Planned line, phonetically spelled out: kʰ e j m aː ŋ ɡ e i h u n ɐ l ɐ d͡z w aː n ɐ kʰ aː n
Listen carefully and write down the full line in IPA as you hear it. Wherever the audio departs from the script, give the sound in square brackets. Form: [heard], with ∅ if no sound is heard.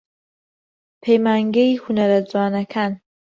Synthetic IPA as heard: [pʰ] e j m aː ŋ ɡ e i h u n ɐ [ɾ] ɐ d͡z w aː n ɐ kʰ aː n